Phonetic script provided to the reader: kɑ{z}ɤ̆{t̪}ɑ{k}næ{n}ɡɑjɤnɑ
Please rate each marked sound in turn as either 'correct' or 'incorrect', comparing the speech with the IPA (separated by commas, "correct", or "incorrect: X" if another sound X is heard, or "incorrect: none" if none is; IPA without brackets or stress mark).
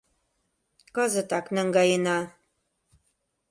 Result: correct, correct, correct, incorrect: ŋ